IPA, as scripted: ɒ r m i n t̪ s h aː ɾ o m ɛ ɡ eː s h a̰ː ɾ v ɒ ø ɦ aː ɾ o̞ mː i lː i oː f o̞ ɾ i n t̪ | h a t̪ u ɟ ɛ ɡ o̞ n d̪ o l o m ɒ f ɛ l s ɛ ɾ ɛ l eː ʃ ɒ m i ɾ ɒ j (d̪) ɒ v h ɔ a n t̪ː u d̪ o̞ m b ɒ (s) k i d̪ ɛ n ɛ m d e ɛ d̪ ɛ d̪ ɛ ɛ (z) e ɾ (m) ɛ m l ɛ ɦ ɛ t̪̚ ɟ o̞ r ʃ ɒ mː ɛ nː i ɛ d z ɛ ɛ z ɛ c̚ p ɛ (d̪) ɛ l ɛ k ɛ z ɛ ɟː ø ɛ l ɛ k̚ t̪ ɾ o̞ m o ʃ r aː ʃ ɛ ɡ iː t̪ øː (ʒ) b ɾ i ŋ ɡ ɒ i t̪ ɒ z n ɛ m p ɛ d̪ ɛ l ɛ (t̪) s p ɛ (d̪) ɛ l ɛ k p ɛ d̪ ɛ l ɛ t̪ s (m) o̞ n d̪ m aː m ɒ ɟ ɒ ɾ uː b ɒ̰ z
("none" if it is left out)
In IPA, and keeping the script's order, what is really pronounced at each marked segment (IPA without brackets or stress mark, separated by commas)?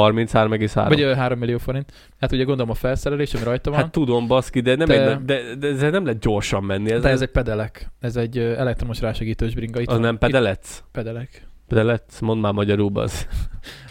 t̪, s, z, n, d̪, ʒ, t̪, d̪, m